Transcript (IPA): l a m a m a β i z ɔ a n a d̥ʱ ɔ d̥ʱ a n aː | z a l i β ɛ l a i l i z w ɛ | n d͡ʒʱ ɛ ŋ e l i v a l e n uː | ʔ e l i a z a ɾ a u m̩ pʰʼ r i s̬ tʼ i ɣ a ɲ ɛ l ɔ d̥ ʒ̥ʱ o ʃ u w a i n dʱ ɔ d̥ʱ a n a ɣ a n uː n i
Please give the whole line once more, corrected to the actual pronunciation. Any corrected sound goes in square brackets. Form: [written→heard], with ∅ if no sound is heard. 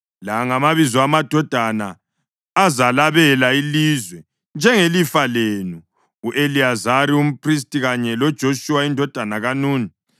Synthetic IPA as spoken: l a [m→ŋ] a m a β i z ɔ a [n→m] a d̥ʱ ɔ d̥ʱ a n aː | z a l [i→a] β ɛ l a i l i z w ɛ | n d͡ʒʱ ɛ ŋ e l i [v→f] a l e n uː | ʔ e l i a z a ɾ [a→i] u m̩ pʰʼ r i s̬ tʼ i ɣ a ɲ ɛ l ɔ d̥ ʒ̥ʱ o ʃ u w a i n dʱ ɔ d̥ʱ a n a ɣ a n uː n i